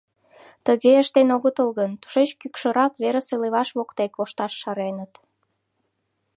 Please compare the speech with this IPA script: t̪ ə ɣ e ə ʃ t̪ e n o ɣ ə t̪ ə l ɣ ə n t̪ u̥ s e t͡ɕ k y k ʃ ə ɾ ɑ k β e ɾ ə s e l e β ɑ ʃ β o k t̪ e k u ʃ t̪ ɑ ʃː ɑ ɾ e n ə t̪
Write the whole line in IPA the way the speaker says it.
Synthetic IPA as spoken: t̪ ə ɣ e ə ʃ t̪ e n o ɣ ə t̪ ə l ɣ ə n t̪ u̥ ʃ e t͡ɕ k y k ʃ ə ɾ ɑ k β e ɾ ə s e l e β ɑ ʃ β o k t̪ e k o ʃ t̪ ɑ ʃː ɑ ɾ e n ə t̪